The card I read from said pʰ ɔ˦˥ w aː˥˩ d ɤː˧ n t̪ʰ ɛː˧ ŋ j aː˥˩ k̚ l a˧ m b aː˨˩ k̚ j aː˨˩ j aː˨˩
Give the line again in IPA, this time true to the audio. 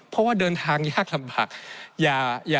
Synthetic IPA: pʰ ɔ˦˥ w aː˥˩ d ɤː˧ n t̪ʰ aː˧ ŋ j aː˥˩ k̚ l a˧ m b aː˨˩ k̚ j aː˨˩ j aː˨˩